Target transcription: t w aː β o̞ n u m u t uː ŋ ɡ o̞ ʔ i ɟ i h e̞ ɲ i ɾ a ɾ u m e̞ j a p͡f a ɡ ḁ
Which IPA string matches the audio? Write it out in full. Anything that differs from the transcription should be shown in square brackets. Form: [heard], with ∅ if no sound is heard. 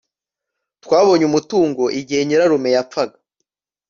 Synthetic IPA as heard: t w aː β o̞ [ɲ] u m u t uː ŋ ɡ o̞ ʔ i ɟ i h e̞ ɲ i ɾ a ɾ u m e̞ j a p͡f a ɡ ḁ